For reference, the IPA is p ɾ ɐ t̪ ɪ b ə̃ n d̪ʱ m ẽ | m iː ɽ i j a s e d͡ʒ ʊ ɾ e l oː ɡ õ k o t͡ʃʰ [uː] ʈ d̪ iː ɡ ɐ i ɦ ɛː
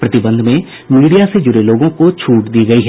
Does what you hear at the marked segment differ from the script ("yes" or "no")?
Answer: no